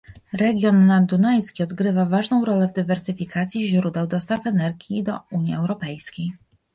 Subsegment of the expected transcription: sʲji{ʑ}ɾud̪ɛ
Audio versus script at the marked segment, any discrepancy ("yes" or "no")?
no